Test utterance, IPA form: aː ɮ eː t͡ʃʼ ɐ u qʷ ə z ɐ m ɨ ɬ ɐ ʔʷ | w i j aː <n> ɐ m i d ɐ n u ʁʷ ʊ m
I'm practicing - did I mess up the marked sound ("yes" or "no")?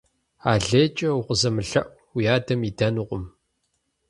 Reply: yes